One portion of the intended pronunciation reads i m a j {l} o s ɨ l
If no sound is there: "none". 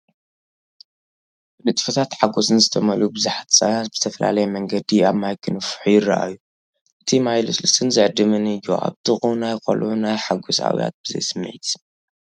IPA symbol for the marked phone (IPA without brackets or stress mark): l